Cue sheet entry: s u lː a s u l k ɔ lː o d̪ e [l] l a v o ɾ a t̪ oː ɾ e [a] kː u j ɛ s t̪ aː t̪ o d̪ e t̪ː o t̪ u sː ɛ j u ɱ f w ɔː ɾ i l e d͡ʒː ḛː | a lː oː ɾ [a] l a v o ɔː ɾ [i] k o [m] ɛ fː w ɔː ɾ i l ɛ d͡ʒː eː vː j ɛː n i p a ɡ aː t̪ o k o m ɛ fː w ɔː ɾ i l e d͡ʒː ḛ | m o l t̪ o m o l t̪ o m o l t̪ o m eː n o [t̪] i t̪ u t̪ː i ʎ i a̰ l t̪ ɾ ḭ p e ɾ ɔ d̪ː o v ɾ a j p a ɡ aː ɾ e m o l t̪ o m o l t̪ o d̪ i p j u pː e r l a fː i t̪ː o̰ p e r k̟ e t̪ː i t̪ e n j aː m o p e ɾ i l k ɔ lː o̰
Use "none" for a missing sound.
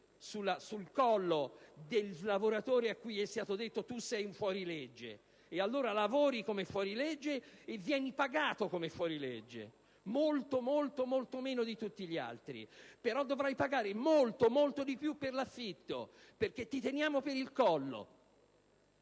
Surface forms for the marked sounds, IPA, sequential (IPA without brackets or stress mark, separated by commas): l, a, a, i, m, d̪